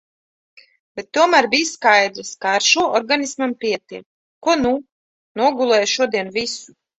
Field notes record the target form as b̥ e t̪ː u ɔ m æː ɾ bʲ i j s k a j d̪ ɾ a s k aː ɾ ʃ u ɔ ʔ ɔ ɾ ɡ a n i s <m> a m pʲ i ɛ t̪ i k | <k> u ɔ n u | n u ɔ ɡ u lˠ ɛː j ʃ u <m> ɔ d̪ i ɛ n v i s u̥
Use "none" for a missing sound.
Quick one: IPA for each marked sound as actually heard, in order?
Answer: m, k, none

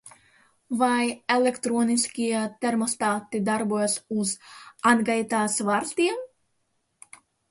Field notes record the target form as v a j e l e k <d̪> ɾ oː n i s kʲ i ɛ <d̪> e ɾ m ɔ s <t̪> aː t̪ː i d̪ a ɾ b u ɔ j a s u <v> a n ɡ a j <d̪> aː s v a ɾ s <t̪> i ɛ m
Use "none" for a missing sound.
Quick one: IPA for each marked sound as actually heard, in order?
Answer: t̪, t̪, t̪, z, t̪, t̪

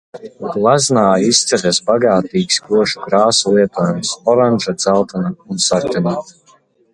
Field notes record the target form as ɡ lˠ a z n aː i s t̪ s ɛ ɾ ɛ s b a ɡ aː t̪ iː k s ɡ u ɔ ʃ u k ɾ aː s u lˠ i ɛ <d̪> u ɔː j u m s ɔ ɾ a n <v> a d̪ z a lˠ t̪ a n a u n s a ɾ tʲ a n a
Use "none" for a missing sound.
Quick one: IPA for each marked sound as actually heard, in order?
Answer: t̪, ʒ

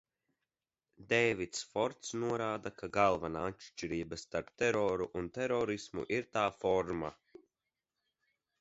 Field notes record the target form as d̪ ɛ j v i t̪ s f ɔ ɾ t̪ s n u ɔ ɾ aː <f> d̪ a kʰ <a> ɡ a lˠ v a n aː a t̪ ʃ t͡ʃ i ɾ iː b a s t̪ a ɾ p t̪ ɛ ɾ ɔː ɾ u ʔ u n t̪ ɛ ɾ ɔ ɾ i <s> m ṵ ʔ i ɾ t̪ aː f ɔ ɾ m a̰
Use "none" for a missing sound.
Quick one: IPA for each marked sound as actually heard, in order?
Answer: none, a, s

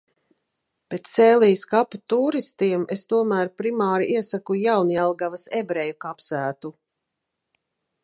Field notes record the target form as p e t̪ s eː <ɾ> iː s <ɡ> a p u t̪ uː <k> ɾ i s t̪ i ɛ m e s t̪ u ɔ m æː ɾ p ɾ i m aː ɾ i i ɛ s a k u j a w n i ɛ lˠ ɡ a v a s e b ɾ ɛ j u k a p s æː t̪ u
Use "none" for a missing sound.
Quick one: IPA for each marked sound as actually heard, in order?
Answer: l, k, none

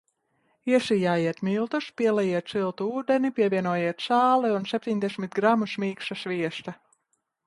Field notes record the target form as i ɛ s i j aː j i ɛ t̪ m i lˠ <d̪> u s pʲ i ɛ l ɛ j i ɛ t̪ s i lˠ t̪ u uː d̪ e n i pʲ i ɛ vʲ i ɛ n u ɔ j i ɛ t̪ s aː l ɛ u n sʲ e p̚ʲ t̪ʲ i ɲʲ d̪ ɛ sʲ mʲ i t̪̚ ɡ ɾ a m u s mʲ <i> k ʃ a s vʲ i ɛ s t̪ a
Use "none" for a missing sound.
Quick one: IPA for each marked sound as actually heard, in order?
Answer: t̪, iː

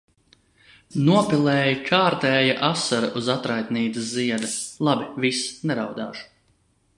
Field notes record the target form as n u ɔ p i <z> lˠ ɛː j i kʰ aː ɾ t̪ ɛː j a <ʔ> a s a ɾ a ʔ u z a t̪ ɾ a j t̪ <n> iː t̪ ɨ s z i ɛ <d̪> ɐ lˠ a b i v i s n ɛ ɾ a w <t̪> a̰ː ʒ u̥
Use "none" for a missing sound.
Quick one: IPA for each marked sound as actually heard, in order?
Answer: none, ʔ, n, d̪, d̪

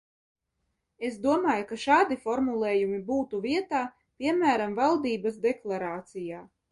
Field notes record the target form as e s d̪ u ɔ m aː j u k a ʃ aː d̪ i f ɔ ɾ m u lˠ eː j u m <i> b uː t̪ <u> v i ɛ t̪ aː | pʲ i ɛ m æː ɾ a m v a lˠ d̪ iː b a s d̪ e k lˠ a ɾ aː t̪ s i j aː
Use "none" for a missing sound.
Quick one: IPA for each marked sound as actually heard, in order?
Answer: i, u

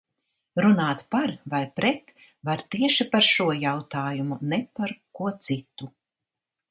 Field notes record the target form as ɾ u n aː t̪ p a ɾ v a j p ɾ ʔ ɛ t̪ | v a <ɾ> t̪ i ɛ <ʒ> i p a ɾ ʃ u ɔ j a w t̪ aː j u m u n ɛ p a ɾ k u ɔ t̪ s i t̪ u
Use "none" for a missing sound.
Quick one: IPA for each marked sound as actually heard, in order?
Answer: ɾ, ʃ

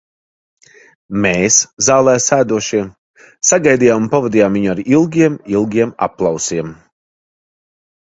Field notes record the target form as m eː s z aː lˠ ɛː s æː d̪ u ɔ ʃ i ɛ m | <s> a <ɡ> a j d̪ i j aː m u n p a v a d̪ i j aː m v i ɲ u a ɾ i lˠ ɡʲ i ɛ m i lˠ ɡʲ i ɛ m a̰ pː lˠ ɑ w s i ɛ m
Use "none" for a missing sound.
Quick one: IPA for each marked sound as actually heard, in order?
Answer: s, ɡ

